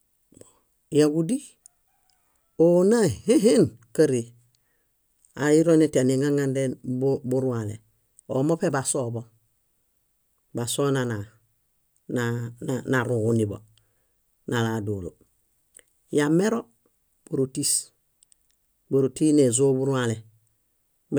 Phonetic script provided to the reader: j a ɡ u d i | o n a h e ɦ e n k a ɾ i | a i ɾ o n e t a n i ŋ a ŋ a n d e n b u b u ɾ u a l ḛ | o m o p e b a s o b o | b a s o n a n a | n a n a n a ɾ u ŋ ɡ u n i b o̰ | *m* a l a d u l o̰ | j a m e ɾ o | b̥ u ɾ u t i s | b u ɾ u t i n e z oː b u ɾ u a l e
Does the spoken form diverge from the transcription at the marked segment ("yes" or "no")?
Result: yes